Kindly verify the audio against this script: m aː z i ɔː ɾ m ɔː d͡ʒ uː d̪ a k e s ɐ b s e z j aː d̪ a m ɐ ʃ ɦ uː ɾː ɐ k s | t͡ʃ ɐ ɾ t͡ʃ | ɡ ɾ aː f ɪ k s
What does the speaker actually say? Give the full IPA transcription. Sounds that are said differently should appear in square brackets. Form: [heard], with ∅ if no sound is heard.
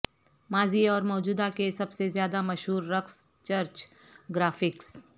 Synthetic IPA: m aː z i ɔː ɾ m ɔː d͡ʒ uː d̪ a k e s ɐ b s e z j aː d̪ a m ɐ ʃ ɦ uː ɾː ɐ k s | t͡ʃ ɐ ɾ t͡ʃ | ɡ ɾ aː f ɪ k s